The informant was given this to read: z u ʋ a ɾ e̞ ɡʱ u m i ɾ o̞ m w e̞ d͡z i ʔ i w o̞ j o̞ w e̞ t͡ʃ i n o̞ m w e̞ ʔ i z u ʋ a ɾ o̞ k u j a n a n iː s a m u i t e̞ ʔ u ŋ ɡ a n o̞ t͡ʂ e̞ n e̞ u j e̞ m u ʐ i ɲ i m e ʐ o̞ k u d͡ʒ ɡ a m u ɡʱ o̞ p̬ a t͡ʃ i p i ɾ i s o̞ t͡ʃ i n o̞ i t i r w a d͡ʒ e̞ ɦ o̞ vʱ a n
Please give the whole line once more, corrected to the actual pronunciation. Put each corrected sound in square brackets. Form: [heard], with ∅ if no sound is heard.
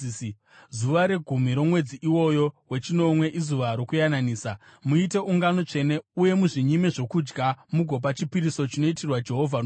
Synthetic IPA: z u ʋ a ɾ e̞ ɡʱ u m i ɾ o̞ m w e̞ d͡z i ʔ i w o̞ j o̞ w e̞ t͡ʃ i n o̞ m w e̞ ʔ i z u ʋ a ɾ o̞ k u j a n a n iː s a m u i t e̞ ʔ u ŋ ɡ a n o̞ t͡ʂ e̞ n e̞ u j e̞ m u ʐ i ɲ i m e ʐ o̞ k u d͡ʒ ɡ a m u ɡʱ o̞ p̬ a t͡ʃ i p i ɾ i s o̞ t͡ʃ i n o̞ i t i r w a d͡ʒ e̞ ɦ o̞ vʱ a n